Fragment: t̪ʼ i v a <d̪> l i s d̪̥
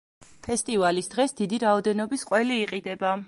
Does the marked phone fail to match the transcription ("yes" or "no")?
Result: yes